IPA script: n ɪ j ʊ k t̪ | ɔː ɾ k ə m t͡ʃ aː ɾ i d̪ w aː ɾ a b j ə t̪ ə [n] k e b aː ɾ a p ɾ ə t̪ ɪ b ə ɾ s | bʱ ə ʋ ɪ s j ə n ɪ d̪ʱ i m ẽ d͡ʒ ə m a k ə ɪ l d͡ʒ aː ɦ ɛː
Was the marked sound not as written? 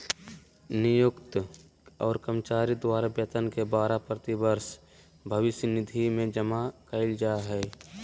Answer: no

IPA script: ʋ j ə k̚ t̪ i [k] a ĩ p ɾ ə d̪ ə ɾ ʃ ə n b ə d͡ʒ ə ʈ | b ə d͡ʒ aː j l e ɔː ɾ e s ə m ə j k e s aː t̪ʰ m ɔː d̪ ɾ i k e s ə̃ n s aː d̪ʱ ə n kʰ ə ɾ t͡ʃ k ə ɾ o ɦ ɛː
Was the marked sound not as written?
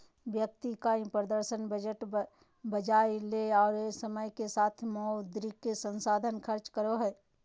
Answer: no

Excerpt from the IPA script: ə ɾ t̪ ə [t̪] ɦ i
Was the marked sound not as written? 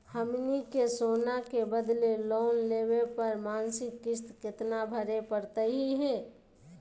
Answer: yes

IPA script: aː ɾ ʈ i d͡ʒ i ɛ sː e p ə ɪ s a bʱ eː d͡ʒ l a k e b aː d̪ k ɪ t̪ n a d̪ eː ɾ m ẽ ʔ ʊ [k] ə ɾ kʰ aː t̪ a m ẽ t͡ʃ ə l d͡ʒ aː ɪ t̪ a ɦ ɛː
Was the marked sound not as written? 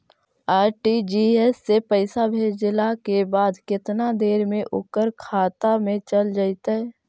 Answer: no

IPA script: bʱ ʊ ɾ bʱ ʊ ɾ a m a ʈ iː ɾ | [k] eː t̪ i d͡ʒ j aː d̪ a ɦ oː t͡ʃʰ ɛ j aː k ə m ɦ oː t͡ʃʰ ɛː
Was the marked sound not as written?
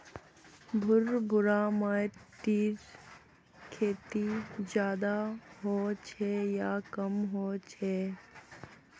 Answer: yes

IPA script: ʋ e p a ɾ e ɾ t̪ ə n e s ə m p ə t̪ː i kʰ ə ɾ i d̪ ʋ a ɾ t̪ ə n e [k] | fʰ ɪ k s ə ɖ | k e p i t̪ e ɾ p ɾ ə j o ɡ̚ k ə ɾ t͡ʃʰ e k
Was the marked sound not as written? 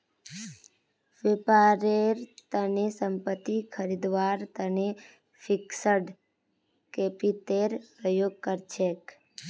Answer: yes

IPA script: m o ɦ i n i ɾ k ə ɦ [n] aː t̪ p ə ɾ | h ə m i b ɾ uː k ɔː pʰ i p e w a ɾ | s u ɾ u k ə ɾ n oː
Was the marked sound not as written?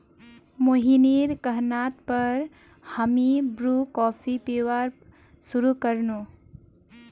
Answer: no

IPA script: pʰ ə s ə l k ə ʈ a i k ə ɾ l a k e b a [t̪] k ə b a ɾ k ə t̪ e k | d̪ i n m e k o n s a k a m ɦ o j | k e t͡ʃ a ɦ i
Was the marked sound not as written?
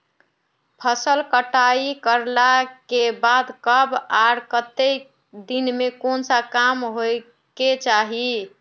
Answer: yes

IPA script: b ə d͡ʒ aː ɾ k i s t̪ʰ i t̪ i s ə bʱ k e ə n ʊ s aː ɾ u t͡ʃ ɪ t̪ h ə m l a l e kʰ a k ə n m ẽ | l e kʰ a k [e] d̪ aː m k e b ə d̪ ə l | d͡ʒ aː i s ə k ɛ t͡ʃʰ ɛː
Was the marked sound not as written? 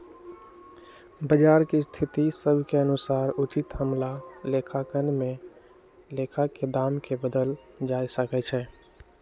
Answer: no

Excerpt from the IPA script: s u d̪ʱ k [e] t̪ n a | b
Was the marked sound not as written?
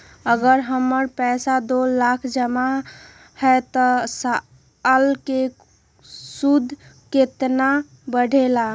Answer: no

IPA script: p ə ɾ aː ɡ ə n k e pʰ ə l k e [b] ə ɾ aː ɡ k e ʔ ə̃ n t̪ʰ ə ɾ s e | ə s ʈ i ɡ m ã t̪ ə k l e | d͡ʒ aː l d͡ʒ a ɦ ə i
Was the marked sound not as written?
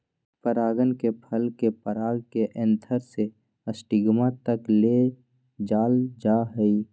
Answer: yes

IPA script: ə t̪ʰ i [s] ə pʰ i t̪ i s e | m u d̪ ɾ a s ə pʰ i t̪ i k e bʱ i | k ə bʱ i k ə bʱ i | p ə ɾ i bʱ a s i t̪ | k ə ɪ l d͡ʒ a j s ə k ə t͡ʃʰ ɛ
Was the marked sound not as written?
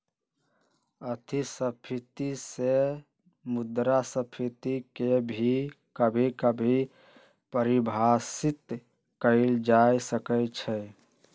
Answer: no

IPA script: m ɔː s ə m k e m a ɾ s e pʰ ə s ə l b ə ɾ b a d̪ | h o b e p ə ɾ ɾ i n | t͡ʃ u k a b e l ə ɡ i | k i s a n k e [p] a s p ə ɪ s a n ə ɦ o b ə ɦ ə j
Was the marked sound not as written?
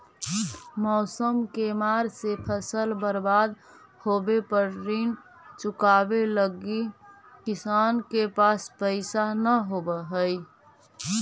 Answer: no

